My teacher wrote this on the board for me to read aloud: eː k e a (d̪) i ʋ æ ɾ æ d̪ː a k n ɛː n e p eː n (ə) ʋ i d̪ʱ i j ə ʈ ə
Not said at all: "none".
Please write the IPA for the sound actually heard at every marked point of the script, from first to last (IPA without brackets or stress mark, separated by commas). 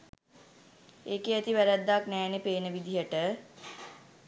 t̪, ə